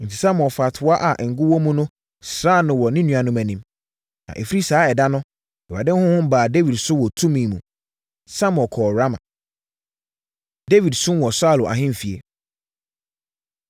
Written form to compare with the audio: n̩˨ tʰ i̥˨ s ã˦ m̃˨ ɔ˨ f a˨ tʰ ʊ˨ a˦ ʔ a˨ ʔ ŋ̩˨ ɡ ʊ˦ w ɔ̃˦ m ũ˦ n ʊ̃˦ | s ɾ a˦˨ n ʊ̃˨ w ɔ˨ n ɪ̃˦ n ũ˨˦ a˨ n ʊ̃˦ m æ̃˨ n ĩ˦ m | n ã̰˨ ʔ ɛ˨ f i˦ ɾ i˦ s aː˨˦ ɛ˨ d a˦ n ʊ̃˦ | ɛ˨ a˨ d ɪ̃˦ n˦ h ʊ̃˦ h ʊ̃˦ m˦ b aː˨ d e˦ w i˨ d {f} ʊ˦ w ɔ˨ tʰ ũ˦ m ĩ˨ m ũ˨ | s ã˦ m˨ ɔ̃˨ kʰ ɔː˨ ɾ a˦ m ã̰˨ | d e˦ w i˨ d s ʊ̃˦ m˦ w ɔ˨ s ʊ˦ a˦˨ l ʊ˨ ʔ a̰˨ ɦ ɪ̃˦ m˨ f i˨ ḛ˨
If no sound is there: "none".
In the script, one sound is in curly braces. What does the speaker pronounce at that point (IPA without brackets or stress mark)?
s